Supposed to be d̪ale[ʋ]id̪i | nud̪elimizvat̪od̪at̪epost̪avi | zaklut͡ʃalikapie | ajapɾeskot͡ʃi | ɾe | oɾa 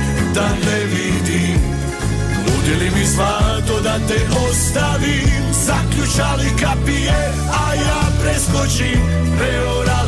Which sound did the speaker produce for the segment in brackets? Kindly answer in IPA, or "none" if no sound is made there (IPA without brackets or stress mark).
v